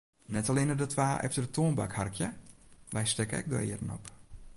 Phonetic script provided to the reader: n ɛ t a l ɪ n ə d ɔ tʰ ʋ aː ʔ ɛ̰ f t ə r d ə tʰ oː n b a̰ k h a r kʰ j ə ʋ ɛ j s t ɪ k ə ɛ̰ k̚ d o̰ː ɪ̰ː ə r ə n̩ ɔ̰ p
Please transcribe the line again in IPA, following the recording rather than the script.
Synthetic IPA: n ɛ t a l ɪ n ə d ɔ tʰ ʋ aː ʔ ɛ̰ f t ə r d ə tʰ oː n b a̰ k h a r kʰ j ə ʋ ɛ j s t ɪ k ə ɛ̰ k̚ d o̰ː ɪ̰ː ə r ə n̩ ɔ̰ p